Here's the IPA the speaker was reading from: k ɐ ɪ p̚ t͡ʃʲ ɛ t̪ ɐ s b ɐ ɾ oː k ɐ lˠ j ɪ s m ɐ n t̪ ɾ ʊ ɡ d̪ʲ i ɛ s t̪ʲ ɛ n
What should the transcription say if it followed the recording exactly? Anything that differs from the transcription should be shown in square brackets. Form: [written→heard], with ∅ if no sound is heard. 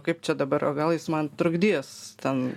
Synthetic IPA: k ɐ ɪ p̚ t͡ʃʲ ɛ [t̪→d̪] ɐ [s→∅] b ɐ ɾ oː [k→ɡ] ɐ lˠ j ɪ s m ɐ n t̪ ɾ ʊ ɡ d̪ʲ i ɛ s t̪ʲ ɛ n

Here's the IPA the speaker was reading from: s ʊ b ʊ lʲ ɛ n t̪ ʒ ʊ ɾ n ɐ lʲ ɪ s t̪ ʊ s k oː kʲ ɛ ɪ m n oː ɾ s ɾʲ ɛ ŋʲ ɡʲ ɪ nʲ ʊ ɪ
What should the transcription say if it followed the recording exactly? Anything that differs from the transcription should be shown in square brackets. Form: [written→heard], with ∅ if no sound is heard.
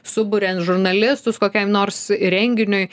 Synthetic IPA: s ʊ b ʊ [lʲ→ɾʲ] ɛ n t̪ ʒ ʊ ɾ n ɐ lʲ ɪ s t̪ ʊ s k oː kʲ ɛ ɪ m n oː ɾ s ɾʲ ɛ ŋʲ ɡʲ ɪ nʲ ʊ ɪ

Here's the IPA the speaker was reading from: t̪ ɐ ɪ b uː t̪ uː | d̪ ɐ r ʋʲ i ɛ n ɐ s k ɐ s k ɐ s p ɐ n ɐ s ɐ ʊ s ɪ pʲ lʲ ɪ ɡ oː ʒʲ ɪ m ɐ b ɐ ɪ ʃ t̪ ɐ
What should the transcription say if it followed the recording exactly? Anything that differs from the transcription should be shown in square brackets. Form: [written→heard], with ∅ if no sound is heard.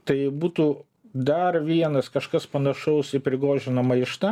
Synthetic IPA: t̪ ɐ ɪ b uː t̪ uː | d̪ ɐ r ʋʲ i ɛ n ɐ s k ɐ [s→ʃ] k ɐ s p ɐ n ɐ [s→ʃ] ɐ ʊ s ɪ pʲ [lʲ→ɾʲ] ɪ ɡ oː ʒʲ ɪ [m→n] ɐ [b→m] ɐ ɪ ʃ t̪ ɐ

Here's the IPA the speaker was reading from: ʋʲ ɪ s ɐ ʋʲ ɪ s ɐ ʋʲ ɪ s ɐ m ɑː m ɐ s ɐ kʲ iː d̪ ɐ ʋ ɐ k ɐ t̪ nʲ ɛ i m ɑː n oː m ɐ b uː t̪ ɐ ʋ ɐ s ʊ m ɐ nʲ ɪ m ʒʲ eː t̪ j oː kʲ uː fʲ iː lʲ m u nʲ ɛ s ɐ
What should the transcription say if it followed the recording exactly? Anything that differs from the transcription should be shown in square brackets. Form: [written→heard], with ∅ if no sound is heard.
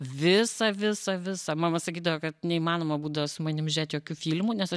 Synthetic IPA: ʋʲ ɪ s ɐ ʋʲ ɪ s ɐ ʋʲ ɪ s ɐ m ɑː m ɐ s ɐ kʲ iː d̪ ɐ ʋ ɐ k ɐ t̪ nʲ ɛ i m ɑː n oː m ɐ b uː [t̪→d̪] ɐ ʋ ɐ s ʊ m ɐ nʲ ɪ m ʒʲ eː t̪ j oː kʲ uː fʲ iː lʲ m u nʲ ɛ s ɐ

